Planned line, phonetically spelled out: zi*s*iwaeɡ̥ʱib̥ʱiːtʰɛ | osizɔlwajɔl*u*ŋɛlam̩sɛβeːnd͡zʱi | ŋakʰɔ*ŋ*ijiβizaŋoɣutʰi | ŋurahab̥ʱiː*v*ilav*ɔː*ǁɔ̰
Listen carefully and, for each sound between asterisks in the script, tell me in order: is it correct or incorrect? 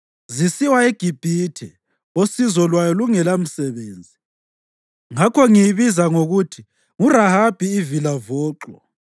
correct, correct, correct, correct, correct

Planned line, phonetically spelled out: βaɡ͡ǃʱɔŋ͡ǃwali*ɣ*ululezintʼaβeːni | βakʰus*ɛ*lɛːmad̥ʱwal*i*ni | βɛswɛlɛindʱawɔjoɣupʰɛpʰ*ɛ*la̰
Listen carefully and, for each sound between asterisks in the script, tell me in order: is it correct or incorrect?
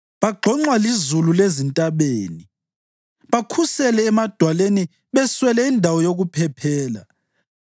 incorrect: z, correct, incorrect: e, incorrect: ɛː

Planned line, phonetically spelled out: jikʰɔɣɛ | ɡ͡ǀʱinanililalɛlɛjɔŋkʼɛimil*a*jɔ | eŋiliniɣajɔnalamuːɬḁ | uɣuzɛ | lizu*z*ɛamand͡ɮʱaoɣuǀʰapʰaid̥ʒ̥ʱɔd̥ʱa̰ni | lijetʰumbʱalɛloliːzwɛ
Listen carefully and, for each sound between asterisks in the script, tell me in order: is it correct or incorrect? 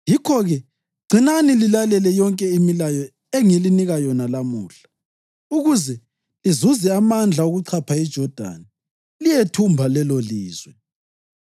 correct, correct

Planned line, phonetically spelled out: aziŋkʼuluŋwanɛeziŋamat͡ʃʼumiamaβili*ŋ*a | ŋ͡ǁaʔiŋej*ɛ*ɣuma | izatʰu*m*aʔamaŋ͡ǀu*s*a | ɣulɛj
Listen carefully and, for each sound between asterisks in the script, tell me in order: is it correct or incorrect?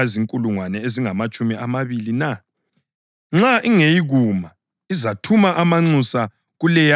incorrect: n, incorrect: i, correct, correct

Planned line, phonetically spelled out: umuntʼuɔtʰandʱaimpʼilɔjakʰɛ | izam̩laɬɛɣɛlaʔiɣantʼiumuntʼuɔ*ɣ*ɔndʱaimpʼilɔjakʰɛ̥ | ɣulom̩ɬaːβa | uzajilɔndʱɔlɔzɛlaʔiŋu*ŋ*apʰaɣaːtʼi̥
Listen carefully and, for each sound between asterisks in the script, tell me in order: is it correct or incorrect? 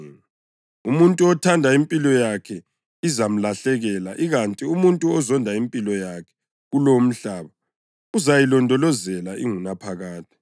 incorrect: z, incorrect: n

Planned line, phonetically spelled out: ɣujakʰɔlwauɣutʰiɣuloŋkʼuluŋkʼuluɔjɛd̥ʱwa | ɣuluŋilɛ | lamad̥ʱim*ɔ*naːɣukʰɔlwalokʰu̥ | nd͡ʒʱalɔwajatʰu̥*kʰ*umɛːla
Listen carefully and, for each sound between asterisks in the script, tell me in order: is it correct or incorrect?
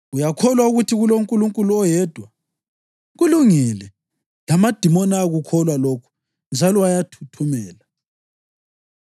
correct, incorrect: tʰ

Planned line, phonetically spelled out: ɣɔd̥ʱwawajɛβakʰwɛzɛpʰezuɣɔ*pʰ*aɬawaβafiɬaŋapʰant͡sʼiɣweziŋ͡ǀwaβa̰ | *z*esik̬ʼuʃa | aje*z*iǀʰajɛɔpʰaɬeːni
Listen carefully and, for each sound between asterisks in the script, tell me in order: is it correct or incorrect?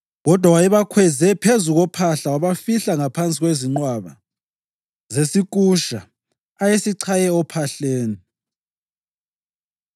correct, correct, incorrect: s

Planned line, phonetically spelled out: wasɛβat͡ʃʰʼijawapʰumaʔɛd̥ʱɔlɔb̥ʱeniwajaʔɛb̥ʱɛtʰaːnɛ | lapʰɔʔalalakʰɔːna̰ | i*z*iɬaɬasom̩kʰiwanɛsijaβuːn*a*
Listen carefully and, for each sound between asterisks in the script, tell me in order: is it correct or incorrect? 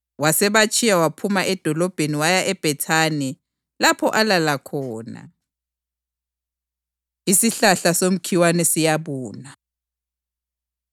incorrect: s, correct

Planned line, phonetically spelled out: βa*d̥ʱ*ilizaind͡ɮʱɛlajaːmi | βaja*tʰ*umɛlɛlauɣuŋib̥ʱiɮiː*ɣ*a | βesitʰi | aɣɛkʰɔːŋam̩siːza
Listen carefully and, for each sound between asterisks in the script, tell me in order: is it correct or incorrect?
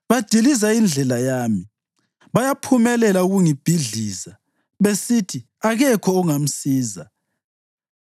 correct, incorrect: pʰ, incorrect: z

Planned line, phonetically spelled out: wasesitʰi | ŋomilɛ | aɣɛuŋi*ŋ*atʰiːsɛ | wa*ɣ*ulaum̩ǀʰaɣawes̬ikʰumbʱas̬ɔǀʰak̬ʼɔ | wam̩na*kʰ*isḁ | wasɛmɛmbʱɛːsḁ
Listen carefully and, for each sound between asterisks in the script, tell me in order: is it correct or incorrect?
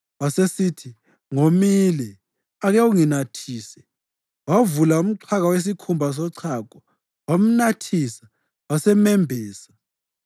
incorrect: n, incorrect: v, incorrect: tʰ

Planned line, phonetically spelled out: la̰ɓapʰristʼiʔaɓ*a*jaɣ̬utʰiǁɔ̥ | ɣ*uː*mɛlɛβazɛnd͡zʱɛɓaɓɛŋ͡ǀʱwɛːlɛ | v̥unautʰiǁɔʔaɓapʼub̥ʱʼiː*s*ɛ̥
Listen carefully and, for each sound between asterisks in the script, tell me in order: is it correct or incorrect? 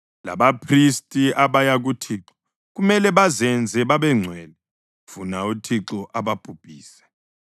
correct, incorrect: u, correct

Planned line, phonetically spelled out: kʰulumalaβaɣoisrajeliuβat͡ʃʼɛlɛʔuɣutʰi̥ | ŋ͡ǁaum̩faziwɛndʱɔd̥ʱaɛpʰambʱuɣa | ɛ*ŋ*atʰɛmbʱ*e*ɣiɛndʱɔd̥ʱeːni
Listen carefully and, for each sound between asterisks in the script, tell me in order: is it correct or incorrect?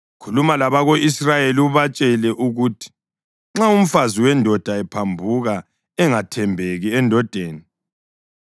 correct, correct

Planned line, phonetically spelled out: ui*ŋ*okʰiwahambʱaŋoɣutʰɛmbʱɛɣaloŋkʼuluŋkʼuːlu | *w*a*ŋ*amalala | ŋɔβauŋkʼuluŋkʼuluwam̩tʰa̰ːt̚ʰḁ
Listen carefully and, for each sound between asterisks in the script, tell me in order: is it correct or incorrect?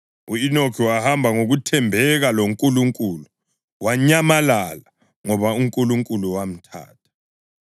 incorrect: n, correct, incorrect: ɲ

